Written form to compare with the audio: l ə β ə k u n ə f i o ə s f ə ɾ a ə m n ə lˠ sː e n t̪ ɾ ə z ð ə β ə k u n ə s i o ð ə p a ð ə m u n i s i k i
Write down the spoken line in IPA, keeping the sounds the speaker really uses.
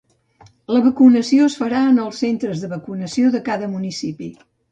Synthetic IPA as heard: l ə β ə k u n ə s i o ə s f ə ɾ a ə n ə lˠ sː e n t̪ ɾ ə z ð ə β ə k u n ə s i o ð ə k a ð ə m u n i s i p i